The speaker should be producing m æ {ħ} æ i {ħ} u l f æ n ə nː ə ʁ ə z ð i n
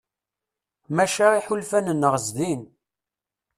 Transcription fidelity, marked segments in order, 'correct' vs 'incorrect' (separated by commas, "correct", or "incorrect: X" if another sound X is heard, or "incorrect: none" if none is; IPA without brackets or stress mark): incorrect: ʃ, correct